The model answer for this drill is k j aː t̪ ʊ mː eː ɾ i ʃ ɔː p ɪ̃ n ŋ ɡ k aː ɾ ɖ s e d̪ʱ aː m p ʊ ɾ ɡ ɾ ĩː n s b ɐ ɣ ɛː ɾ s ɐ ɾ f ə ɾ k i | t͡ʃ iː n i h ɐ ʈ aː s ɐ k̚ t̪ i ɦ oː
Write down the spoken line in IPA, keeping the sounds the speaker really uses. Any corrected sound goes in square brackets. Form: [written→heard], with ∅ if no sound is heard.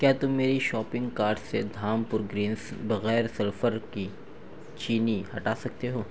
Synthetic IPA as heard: k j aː t̪ ʊ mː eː ɾ i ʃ ɔː p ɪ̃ [n→∅] ŋ ɡ k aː ɾ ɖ s e d̪ʱ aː m p ʊ ɾ ɡ ɾ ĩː n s b ɐ ɣ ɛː ɾ s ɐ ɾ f ə ɾ k i | t͡ʃ iː n i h ɐ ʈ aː s ɐ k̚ t̪ [i→e] ɦ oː